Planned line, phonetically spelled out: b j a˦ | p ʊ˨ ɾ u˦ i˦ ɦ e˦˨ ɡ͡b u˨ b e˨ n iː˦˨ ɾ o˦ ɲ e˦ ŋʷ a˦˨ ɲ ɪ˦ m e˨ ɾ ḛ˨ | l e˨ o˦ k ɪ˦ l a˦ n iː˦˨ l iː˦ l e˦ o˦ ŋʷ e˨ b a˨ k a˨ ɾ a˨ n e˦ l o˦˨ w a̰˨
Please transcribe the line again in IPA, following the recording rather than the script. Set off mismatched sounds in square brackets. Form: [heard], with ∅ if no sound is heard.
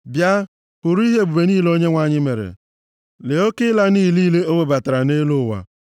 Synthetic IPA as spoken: b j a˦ | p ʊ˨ ɾ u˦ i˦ ɦ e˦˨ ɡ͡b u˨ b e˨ n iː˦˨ [l] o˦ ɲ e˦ ŋʷ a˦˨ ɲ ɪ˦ m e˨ ɾ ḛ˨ | l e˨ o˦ k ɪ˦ l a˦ n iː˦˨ l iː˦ l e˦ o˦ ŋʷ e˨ b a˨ [t] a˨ ɾ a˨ n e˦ l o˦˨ w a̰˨